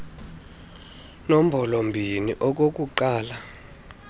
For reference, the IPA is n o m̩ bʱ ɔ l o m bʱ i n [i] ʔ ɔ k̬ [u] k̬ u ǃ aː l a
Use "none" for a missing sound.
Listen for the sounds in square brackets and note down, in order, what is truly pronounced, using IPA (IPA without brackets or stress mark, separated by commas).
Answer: i, o